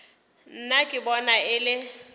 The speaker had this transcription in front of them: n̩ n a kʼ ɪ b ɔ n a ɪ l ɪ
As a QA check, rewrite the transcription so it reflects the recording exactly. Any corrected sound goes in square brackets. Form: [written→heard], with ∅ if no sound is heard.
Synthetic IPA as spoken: n̩ n a kʼ ɪ b ɔ n a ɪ l ɪ